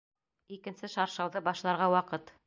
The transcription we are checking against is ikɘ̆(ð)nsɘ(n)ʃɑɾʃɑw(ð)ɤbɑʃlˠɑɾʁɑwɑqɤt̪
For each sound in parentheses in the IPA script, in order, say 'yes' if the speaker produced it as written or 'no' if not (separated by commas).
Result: no, no, yes